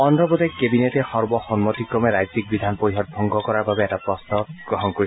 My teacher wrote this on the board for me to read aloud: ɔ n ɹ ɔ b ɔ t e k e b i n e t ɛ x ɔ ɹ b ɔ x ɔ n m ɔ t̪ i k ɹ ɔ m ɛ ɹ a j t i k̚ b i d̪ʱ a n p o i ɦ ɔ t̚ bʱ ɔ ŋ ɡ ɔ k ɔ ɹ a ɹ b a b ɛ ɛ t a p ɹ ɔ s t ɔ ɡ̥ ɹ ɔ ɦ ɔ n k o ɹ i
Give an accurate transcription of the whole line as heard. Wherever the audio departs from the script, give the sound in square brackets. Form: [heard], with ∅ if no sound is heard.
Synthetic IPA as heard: ɔ n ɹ ɔ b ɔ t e k e b i n e t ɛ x ɔ ɹ b ɔ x ɔ n m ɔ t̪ i k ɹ ɔ m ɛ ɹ a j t i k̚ b i d̪ʱ a n p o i ɦ ɔ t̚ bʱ ɔ ŋ ɡ ɔ k ɔ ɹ a ɹ b a b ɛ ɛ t a p ɹ ɔ s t ɔ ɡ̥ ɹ ɔ ɦ ɔ n k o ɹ i

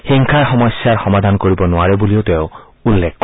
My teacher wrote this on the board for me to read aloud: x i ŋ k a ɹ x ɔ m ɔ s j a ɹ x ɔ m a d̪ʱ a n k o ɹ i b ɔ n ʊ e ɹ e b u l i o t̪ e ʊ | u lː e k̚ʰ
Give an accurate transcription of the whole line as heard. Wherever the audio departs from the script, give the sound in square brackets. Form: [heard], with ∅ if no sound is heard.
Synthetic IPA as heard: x i ŋ [kʰ] a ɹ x ɔ m ɔ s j a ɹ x ɔ m a d̪ʱ a n k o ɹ i b ɔ n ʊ [a] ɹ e b u l i o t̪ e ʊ | u lː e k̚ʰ

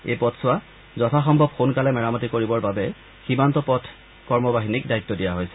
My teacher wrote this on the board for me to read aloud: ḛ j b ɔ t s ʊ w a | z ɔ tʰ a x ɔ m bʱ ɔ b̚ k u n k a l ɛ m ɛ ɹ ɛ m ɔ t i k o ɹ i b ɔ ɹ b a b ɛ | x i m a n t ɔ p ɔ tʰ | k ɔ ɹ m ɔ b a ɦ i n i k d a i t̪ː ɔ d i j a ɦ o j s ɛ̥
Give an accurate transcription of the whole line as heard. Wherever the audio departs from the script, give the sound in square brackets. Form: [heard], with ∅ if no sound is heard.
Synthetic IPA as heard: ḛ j [p] ɔ t s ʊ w a | z ɔ tʰ a x ɔ m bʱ ɔ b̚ [x] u n k a l ɛ m ɛ ɹ [a] m ɔ t i k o ɹ i b ɔ ɹ b a b ɛ | x i m a n t ɔ p ɔ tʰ | k ɔ ɹ m ɔ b a ɦ i n i k d a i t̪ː ɔ d i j a ɦ o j s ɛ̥

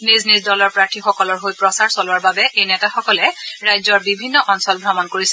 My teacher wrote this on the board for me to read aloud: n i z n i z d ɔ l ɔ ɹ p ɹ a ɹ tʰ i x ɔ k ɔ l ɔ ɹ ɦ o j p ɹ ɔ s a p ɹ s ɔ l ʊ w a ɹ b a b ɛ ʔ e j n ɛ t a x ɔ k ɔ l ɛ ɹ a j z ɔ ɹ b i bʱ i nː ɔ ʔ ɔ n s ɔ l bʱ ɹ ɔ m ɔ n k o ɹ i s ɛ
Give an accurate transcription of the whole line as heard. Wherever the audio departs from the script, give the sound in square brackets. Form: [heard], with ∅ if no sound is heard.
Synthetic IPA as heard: n i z n i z d ɔ l ɔ ɹ p ɹ a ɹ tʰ i x ɔ k ɔ l ɔ ɹ ɦ o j p ɹ ɔ s a [∅] ɹ s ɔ l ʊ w a ɹ b a b ɛ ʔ e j n ɛ t a x ɔ k ɔ l ɛ ɹ a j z ɔ ɹ b i bʱ i nː ɔ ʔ ɔ n s ɔ l bʱ ɹ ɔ m ɔ n k o ɹ i s ɛ

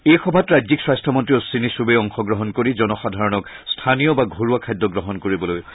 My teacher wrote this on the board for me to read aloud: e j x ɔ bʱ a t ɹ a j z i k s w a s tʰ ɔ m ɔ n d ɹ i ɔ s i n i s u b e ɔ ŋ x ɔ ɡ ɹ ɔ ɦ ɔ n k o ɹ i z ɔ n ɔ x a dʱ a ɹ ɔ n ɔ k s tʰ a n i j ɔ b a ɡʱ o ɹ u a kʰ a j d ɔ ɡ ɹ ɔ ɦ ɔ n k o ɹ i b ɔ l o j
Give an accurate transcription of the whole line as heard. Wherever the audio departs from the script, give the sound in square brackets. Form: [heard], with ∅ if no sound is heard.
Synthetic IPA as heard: e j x ɔ bʱ a t ɹ a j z i k s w a s tʰ ɔ m ɔ n [t] ɹ i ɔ s i n i s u b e ɔ ŋ x ɔ ɡ ɹ ɔ ɦ ɔ n k o ɹ i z ɔ n ɔ x a dʱ a ɹ ɔ n ɔ k s tʰ a n i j ɔ b a ɡʱ o ɹ u a kʰ a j d ɔ ɡ ɹ ɔ ɦ ɔ n k o ɹ i b ɔ l o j

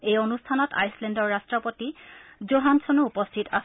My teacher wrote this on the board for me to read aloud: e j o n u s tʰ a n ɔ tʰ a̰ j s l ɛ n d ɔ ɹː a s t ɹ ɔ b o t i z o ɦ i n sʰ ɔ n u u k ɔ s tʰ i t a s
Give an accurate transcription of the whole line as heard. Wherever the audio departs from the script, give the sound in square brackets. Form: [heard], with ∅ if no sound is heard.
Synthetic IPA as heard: e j o n u s tʰ a n ɔ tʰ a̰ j s l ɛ n d ɔ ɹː a s t ɹ ɔ [p] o t i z o ɦ [a] n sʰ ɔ n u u [p] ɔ s tʰ i t a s

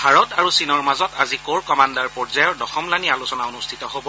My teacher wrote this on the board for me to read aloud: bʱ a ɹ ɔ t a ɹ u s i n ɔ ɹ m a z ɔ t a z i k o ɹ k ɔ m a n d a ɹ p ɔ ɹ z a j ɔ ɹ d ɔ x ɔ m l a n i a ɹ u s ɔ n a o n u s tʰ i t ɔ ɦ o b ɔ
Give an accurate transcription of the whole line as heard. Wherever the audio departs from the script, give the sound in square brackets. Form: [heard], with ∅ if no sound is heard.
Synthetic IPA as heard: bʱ a ɹ ɔ t a ɹ u s i n ɔ ɹ m a z ɔ t a z i k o ɹ k ɔ m a n d a ɹ p ɔ ɹ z a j ɔ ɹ d ɔ x ɔ m l a n i a [l] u s ɔ n a o n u s tʰ i t ɔ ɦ o b ɔ

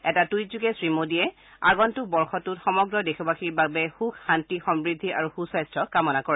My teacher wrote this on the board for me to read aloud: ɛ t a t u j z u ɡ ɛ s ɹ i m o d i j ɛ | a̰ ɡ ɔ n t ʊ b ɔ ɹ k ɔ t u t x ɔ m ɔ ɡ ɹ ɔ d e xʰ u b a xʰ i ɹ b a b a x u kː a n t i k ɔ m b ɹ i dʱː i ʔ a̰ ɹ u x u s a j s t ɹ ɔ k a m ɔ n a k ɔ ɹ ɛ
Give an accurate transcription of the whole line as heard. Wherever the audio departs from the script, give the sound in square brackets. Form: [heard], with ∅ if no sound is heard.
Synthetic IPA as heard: ɛ t a t u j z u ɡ ɛ s ɹ i m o d i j ɛ | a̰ ɡ ɔ n t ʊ b ɔ ɹ [x] ɔ t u t x ɔ m ɔ ɡ ɹ ɔ d e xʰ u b a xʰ i ɹ b a b [ɛ] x u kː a n t i [x] ɔ m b ɹ i dʱː i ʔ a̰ ɹ u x u s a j s t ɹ ɔ k a m ɔ n a k ɔ ɹ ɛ

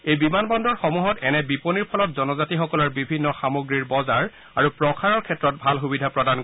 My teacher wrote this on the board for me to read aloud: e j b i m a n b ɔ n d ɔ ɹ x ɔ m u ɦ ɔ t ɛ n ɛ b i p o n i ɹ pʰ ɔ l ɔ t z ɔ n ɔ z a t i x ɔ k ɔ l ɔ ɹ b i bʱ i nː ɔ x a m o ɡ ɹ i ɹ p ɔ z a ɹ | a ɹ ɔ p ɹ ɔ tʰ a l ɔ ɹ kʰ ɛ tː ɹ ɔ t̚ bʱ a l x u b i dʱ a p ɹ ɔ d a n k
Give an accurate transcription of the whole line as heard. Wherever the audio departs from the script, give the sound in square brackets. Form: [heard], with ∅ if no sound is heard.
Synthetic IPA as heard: e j b i m a n b ɔ n d ɔ ɹ x ɔ m u ɦ ɔ t ɛ n ɛ b i p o n i ɹ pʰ ɔ l ɔ t z ɔ n ɔ z a t i x ɔ k ɔ l ɔ ɹ b i bʱ i nː ɔ x a m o ɡ ɹ i ɹ [b] ɔ z a ɹ | a ɹ [u] p ɹ ɔ [kʰ] a [ɹ] ɔ ɹ kʰ ɛ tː ɹ ɔ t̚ bʱ a l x u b i dʱ a p ɹ ɔ d a n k

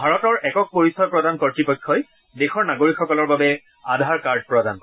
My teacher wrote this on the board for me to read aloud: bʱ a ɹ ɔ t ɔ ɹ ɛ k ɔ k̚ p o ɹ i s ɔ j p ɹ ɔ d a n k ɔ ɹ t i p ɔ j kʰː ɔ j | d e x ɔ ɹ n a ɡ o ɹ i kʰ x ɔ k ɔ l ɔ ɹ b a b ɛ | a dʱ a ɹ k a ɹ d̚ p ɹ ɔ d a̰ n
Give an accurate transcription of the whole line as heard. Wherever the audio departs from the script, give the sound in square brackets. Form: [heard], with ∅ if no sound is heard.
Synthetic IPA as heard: bʱ a ɹ ɔ t ɔ ɹ ɛ k ɔ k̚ p o ɹ i s ɔ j p ɹ ɔ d a n k ɔ ɹ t i p ɔ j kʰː ɔ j | d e x ɔ ɹ n a ɡ o ɹ i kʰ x ɔ k ɔ l ɔ ɹ b a b ɛ | a dʱ a ɹ k a ɹ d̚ p ɹ ɔ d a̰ n

